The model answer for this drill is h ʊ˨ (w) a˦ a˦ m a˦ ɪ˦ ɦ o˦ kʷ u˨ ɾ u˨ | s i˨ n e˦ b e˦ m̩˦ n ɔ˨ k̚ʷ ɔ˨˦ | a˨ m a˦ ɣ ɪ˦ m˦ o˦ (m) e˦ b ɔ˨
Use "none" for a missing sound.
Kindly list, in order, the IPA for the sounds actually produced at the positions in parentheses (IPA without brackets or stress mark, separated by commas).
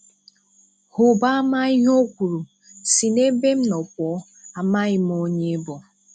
b, ɲ